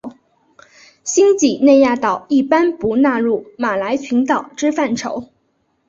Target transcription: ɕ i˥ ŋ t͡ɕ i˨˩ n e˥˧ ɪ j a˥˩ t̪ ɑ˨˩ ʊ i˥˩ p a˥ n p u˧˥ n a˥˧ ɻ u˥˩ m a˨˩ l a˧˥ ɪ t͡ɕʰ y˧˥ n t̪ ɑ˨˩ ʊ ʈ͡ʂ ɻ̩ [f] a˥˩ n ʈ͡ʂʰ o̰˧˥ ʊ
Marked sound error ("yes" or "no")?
no